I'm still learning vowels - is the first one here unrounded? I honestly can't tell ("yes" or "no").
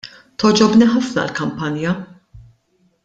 no